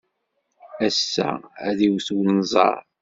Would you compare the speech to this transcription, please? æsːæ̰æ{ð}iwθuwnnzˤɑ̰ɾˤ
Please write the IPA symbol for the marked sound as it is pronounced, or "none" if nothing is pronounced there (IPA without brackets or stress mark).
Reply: ð